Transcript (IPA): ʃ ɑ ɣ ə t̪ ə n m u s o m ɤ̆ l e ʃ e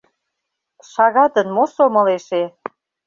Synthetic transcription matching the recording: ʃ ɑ ɣ ɑ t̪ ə n m o s o m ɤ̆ l e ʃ e